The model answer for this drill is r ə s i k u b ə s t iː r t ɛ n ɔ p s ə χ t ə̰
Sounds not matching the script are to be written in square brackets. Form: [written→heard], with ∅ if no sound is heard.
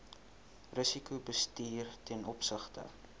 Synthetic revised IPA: r ə s i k u b ə s t iː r t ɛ n ɔ p s ə χ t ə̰